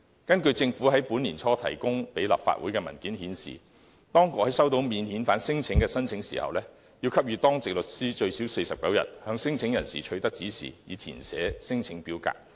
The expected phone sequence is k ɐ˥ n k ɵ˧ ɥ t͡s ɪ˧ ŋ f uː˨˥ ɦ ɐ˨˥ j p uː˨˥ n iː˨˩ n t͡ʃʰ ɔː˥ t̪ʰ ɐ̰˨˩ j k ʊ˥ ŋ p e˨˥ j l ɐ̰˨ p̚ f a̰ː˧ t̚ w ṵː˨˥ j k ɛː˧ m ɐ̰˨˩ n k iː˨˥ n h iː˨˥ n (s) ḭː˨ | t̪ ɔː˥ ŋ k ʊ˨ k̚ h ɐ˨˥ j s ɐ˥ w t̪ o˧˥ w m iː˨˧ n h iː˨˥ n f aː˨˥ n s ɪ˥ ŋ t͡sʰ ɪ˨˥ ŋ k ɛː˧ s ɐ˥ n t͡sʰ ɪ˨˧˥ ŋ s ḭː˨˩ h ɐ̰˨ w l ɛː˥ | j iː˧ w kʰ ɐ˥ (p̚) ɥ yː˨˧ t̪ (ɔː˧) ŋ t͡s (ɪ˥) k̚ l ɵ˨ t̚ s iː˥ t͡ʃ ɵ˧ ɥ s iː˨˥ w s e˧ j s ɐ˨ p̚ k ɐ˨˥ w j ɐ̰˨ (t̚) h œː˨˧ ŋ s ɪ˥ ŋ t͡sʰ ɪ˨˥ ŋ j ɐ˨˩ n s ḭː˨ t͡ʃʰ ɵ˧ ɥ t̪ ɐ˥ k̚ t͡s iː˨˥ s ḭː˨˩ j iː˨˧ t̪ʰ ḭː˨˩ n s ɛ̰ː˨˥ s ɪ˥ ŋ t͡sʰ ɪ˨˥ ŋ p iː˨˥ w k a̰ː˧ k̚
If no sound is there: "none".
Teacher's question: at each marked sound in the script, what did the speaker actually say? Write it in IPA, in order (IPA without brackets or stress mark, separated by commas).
s, p̚, ɔː˥, ɪ˨, t̚